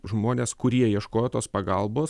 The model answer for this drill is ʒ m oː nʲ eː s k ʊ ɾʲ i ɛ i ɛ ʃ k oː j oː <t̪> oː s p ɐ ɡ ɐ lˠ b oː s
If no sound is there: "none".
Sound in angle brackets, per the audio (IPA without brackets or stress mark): t̪